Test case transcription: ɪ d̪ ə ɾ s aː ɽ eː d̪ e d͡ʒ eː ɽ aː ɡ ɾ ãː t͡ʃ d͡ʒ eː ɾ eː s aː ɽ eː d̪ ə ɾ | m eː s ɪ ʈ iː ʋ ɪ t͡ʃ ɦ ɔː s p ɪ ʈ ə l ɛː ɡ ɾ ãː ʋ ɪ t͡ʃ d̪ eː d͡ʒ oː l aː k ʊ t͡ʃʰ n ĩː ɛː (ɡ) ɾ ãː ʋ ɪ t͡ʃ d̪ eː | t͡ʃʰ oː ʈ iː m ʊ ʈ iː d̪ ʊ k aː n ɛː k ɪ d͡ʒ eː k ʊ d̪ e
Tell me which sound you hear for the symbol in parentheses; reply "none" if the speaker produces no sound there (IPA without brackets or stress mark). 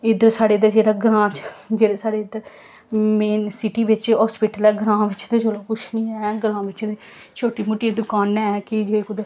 ɡ